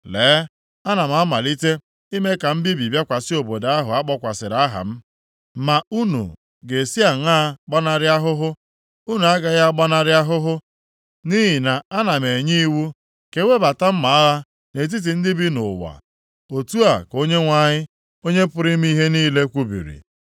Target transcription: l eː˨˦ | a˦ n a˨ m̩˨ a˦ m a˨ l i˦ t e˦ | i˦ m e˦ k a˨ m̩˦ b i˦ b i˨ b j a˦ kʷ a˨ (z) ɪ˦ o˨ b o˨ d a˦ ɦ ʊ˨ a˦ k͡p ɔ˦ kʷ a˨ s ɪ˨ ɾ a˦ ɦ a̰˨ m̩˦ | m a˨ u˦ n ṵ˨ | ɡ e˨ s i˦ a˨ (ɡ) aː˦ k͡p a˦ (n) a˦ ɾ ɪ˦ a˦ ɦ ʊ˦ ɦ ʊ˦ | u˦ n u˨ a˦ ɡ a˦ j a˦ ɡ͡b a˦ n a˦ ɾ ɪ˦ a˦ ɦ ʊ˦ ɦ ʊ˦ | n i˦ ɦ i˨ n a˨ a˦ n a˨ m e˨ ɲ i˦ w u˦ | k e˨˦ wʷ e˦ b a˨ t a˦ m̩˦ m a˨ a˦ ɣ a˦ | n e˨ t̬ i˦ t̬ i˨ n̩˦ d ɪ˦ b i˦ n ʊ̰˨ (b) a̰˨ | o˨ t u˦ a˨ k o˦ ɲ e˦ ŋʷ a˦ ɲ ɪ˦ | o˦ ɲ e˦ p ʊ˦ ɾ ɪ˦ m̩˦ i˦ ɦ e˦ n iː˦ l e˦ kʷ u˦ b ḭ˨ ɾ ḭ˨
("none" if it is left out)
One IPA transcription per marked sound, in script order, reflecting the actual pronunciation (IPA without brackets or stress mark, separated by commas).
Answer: s, ŋ, n, w